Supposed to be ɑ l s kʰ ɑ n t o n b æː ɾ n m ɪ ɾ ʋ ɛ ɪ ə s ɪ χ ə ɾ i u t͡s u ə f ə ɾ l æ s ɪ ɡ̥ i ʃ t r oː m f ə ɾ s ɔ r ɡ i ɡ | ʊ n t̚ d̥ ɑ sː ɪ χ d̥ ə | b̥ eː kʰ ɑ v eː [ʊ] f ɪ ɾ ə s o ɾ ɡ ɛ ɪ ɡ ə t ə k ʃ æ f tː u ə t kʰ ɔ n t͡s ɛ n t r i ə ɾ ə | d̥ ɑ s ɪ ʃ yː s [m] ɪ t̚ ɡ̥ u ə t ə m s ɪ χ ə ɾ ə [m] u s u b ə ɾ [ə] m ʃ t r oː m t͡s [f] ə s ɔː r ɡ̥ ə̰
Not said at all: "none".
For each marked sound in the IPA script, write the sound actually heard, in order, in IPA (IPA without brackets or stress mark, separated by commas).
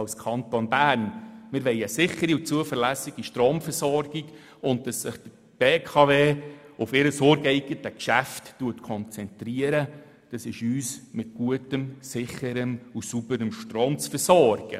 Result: ʊ, m, m, ə, f